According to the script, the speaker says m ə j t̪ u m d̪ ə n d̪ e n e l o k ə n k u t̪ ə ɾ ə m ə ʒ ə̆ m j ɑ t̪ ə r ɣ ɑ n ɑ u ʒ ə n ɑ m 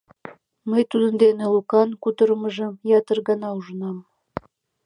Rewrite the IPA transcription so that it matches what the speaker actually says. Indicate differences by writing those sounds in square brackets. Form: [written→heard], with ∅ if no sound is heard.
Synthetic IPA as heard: m ə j t̪ u [m→∅] d̪ ə n d̪ e n e l [o→u] k [ə→ɑ] n k u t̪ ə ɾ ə m ə ʒ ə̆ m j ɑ t̪ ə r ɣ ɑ n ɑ u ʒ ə n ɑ m